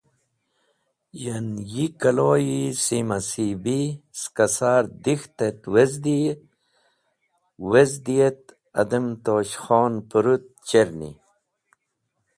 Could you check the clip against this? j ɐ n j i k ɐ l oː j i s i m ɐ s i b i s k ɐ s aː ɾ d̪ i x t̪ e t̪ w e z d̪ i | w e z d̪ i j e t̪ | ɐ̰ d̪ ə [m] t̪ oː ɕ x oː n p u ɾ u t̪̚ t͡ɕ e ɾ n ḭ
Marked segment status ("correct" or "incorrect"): correct